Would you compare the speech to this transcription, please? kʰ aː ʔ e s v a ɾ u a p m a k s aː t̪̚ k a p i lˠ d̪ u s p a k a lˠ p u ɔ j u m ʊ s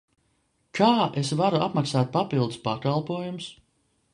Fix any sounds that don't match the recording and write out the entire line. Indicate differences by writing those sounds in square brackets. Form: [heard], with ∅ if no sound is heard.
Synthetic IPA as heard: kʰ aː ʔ e s v a ɾ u a p m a k s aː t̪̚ [p] a p i lˠ d̪ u s p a k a lˠ p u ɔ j u m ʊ s